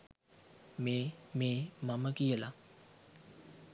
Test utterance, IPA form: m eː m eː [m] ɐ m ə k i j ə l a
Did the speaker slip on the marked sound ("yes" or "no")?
no